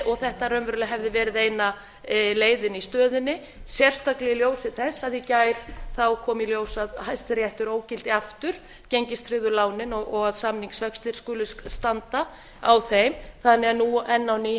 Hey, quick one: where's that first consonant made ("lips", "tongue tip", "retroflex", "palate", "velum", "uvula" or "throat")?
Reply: velum